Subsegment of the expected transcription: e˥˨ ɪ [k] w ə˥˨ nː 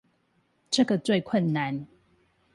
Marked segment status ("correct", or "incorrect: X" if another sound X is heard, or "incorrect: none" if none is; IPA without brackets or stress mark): incorrect: kʰ